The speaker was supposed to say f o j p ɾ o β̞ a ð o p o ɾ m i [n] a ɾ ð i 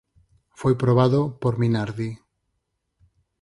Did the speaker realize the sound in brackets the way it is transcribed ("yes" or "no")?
yes